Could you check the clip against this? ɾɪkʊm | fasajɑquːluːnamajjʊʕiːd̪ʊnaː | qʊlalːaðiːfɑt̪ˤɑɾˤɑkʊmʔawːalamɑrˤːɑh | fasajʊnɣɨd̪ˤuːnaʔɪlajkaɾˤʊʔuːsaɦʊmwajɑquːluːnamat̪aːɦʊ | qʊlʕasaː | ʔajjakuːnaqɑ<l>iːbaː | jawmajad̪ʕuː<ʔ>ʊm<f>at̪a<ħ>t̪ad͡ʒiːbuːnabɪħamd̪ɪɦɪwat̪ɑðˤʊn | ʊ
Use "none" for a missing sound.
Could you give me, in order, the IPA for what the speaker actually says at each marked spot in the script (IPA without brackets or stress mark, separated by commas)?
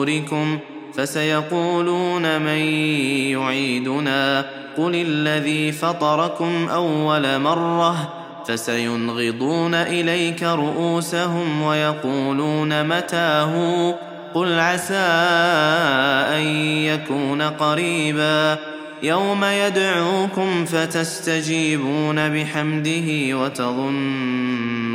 ɾ, k, f, s